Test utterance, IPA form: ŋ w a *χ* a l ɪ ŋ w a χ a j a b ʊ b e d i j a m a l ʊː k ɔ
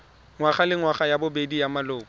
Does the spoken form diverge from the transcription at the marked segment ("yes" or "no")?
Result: no